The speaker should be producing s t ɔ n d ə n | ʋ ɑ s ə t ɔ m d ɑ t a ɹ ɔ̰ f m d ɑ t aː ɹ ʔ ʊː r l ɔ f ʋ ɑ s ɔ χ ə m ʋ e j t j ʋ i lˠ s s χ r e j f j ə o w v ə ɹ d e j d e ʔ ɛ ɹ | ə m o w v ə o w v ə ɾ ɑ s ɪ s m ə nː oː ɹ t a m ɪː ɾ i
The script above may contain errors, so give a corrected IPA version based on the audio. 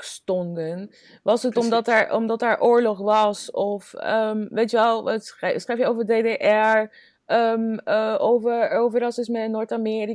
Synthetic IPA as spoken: s t ɔ n d ə n | ʋ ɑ s ə t ɔ m d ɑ t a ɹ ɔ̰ m d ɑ t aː ɹ ʔ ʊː ɹ l ɔ χ ʋ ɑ s ɔ f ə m ʋ e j t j ʋ ɛ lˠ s s χ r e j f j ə o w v ə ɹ d e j d e ʔ ɛ ɹ | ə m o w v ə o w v ə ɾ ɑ s ɪ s m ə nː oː ɹ t a m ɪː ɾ i